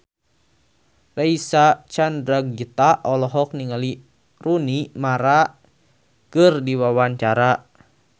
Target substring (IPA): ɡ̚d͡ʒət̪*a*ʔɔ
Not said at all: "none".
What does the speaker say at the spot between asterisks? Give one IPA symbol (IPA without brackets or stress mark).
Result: a